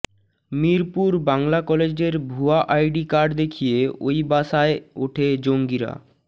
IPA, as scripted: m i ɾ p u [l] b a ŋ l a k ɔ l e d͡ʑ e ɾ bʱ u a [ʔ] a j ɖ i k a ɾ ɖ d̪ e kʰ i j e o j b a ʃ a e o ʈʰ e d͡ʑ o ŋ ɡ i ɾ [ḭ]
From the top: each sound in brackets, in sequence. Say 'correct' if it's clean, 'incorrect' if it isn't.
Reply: incorrect, correct, incorrect

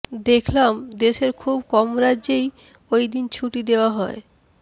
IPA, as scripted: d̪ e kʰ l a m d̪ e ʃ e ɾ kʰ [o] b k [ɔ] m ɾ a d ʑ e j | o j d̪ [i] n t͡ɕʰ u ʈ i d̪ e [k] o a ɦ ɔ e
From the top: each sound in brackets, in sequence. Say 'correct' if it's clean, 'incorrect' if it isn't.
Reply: incorrect, correct, correct, incorrect

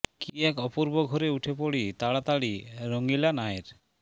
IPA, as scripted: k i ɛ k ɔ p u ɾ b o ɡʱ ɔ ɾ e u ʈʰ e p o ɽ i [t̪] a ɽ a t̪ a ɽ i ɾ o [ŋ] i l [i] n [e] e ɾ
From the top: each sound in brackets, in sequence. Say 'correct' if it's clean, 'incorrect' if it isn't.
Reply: correct, correct, incorrect, incorrect

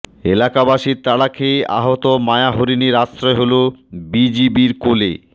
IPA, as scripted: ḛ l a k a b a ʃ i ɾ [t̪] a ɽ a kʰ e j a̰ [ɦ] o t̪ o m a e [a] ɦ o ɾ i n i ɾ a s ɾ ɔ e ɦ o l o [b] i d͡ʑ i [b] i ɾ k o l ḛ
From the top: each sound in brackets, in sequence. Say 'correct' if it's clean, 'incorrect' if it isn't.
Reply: correct, correct, correct, correct, correct

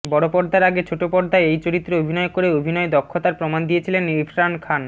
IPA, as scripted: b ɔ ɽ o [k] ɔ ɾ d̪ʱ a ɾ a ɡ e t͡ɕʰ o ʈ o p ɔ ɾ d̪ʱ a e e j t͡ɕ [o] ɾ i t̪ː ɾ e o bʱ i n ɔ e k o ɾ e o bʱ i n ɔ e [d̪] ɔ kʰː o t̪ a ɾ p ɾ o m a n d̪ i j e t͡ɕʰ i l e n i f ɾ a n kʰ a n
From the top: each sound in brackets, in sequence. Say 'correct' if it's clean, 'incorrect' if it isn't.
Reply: incorrect, correct, correct

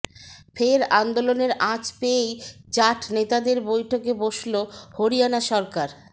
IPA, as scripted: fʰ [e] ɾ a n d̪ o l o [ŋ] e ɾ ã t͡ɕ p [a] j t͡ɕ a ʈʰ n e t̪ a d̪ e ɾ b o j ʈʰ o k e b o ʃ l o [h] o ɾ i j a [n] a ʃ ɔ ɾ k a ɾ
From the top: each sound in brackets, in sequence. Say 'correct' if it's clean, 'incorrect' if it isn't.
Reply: correct, incorrect, incorrect, correct, correct

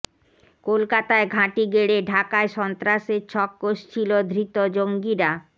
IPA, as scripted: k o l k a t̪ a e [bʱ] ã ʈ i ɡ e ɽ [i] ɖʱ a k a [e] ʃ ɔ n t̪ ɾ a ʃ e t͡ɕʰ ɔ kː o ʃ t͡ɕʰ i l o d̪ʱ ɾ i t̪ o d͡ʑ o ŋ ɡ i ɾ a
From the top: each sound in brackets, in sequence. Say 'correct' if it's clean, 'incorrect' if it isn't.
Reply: incorrect, incorrect, correct

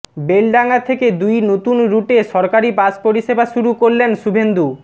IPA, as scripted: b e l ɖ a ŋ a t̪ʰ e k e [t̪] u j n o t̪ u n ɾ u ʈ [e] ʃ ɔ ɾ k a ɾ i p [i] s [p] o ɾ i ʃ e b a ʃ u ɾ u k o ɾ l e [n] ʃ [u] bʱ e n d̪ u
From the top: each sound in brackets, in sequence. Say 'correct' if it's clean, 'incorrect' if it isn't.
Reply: incorrect, correct, incorrect, correct, correct, correct

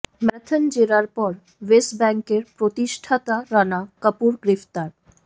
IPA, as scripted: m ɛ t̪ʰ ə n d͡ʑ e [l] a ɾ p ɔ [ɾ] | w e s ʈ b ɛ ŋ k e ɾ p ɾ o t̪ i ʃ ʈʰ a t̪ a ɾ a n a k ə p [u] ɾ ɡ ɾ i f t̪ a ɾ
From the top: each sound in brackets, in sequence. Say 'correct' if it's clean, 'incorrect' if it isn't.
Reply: incorrect, correct, correct

